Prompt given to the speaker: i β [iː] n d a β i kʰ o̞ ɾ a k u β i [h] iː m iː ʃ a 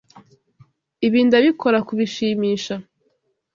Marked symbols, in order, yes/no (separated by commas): yes, no